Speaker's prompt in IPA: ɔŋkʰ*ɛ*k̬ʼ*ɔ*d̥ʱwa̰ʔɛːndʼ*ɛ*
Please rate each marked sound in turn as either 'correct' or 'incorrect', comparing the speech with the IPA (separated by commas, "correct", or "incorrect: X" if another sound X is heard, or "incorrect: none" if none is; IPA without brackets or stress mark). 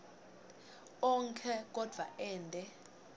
correct, correct, correct